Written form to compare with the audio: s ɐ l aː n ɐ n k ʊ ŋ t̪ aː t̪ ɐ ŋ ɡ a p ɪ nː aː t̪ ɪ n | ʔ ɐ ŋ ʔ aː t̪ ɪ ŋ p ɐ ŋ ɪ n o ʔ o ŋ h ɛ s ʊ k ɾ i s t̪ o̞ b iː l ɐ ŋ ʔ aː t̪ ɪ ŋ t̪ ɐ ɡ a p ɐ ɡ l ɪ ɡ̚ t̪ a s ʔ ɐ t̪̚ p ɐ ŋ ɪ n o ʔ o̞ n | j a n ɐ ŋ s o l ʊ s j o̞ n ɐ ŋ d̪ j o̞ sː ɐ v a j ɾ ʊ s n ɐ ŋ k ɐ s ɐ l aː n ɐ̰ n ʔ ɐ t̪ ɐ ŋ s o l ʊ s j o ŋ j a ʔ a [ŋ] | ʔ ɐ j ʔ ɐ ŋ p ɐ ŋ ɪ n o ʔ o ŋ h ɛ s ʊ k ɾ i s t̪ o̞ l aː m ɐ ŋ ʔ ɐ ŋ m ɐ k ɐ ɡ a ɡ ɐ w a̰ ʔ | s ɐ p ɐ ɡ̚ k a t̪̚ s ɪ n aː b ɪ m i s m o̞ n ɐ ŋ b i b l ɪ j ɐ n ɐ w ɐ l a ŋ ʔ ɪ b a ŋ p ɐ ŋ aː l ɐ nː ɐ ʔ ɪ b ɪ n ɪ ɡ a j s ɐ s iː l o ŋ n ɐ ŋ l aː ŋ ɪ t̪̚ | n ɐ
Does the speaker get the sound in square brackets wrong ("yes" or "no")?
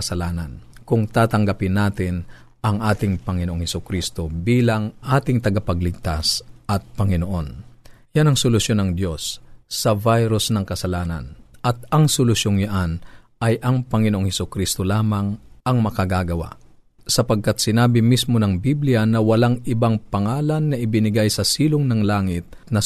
yes